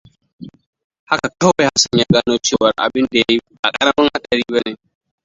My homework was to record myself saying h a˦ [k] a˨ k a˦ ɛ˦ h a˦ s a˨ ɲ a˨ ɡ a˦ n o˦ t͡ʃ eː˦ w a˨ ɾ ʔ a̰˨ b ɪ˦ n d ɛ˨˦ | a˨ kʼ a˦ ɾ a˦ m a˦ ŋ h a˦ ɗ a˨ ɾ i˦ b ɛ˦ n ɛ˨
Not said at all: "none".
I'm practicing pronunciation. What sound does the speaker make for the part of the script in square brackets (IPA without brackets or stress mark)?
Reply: k